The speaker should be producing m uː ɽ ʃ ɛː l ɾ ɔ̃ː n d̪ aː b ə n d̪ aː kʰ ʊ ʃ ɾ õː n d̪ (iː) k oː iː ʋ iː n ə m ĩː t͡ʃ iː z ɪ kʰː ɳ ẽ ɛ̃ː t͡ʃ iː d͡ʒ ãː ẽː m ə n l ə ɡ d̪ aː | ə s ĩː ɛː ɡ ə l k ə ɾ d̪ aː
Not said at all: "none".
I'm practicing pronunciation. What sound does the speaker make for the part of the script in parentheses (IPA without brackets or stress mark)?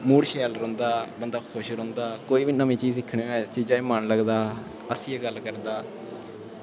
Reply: aː